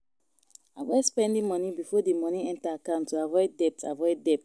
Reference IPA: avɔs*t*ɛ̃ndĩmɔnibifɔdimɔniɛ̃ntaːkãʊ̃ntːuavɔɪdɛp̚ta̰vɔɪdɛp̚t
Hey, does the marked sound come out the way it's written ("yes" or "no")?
no